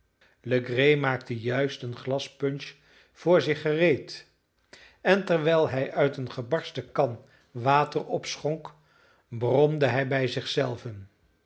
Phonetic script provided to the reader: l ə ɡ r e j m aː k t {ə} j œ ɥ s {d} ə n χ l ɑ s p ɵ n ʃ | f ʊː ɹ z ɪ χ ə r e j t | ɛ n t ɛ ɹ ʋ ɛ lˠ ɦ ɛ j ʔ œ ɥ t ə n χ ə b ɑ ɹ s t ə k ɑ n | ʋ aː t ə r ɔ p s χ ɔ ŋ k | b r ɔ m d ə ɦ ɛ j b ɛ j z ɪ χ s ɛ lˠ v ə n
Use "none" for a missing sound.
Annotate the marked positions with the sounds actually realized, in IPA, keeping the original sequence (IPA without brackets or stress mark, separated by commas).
ə, t